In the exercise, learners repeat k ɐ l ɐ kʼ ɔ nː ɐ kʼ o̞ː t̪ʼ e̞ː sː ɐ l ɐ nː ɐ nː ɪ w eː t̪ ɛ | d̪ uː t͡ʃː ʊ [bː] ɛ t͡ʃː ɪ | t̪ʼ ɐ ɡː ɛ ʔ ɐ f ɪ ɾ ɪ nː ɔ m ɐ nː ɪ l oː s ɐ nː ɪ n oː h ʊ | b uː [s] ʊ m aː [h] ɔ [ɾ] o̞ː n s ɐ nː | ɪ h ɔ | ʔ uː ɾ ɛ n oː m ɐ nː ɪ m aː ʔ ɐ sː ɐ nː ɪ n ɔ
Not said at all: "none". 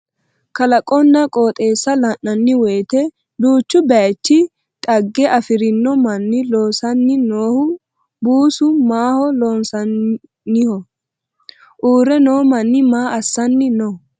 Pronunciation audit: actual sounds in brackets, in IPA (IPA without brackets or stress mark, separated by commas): b, s, h, l